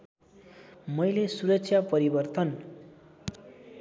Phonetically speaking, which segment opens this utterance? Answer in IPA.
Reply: m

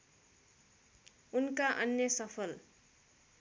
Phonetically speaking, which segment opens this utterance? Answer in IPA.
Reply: u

